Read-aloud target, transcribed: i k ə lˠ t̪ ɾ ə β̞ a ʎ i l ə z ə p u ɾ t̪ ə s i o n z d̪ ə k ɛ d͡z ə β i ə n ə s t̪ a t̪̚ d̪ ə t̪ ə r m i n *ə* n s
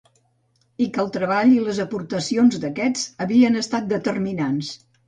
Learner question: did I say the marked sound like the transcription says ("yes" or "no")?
no